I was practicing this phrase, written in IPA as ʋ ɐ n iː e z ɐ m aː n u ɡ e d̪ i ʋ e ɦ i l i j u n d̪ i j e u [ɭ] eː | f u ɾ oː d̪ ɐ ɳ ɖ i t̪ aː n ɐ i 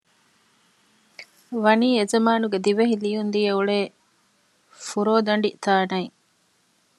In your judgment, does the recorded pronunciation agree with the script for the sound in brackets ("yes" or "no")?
yes